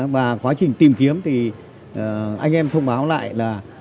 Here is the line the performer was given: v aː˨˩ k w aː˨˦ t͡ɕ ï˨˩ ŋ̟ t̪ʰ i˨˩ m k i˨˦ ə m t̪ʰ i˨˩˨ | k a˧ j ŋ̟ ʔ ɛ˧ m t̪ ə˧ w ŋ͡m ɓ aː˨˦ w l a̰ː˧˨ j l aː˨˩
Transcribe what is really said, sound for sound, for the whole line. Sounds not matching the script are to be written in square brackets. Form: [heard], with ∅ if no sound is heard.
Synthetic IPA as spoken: v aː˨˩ k w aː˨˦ t͡ɕ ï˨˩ ŋ̟ [t̪] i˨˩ m k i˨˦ ə m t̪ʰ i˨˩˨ | [ʔ] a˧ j ŋ̟ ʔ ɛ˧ m [t̪ʰ] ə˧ w ŋ͡m ɓ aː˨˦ w l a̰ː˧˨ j l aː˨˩